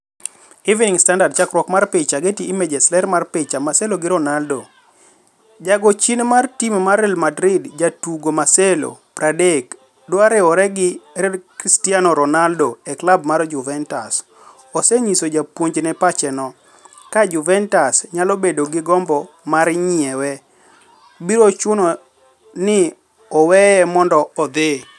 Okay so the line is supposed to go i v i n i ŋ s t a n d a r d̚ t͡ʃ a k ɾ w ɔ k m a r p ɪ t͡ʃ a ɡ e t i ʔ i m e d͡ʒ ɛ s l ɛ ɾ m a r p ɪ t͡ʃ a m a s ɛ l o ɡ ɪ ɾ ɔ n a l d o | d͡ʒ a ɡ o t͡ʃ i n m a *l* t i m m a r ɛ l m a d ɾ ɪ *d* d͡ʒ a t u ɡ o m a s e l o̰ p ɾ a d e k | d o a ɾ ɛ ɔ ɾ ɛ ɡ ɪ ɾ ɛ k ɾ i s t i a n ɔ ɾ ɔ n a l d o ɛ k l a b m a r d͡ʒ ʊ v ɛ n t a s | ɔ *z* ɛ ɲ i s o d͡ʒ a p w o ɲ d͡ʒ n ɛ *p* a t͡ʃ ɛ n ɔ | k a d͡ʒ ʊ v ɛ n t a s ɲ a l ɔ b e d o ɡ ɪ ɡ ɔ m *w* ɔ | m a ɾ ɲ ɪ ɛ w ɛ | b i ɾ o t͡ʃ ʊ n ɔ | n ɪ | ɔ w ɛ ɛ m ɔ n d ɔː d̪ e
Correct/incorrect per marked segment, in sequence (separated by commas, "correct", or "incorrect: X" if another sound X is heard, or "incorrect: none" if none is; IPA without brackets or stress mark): incorrect: r, correct, incorrect: s, correct, incorrect: b